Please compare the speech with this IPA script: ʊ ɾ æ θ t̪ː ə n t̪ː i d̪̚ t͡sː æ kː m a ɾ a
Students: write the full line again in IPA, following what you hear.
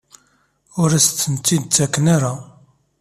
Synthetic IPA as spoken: ʊ ɾ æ s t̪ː ə n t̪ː i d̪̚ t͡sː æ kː n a ɾ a